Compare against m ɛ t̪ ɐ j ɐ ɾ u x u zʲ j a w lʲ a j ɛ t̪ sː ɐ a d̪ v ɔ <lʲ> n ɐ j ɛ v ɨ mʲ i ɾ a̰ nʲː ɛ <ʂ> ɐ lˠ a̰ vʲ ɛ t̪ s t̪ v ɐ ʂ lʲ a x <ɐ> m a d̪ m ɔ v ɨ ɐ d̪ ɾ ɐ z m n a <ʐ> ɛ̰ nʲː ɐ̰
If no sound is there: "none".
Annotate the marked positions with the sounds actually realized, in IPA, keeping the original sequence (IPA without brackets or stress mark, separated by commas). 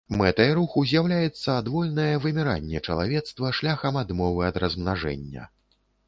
lʲ, t͡ʂ, ɐ, ʐ